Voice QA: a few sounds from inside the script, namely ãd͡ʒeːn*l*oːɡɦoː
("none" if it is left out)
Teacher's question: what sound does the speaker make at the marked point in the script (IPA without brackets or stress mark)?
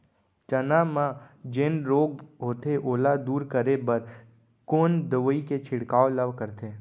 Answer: ɾ